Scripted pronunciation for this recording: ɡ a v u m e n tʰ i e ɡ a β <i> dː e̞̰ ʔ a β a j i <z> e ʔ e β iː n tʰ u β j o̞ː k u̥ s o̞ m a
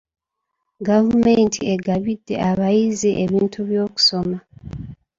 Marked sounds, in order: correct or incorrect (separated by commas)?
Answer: correct, correct